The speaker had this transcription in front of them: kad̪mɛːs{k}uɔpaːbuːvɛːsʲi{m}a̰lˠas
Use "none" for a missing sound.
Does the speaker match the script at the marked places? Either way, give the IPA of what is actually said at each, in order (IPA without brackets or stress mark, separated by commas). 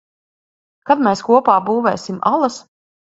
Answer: k, m